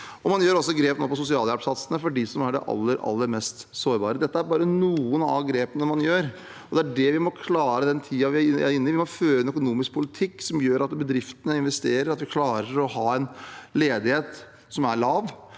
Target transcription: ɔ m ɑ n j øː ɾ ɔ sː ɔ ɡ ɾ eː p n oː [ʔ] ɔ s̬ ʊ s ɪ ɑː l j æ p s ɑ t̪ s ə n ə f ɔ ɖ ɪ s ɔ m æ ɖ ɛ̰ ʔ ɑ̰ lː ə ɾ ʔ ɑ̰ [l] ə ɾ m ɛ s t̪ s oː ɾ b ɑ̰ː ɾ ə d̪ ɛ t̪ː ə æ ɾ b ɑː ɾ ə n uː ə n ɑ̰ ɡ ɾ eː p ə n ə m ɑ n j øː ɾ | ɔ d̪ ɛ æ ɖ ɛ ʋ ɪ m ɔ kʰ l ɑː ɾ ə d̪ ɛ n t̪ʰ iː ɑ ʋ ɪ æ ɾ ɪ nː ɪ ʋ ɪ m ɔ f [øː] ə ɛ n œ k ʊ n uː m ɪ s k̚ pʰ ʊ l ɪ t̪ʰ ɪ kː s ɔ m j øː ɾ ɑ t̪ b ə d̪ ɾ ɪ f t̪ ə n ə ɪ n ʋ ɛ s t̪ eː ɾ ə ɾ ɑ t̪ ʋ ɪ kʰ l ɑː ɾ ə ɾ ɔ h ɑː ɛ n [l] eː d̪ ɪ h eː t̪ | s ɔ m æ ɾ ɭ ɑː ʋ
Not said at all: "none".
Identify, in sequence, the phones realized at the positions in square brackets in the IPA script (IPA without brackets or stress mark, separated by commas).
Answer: p, lː, øː, l